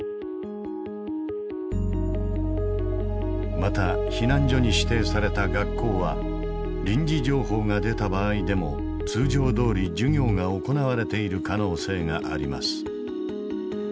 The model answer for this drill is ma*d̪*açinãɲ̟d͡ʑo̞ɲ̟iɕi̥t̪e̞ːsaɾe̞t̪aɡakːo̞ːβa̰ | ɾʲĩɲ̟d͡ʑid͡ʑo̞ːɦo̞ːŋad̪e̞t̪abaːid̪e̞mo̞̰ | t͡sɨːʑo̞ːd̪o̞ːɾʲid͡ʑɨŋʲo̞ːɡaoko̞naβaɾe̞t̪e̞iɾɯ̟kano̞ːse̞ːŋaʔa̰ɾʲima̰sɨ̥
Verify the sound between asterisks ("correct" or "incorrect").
incorrect